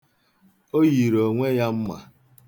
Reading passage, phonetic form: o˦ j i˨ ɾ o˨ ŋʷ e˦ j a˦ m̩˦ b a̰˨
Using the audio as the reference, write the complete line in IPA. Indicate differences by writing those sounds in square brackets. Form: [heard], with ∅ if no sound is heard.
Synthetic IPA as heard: o˦ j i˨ ɾ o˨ ŋʷ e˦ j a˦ m̩˦ [m] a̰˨